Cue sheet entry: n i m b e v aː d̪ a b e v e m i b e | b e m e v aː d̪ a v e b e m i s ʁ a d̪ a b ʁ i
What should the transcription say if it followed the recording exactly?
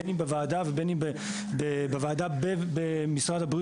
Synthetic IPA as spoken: n i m b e v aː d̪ a v e b e n i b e | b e b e v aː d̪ a b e b e m i s ʁ a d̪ a b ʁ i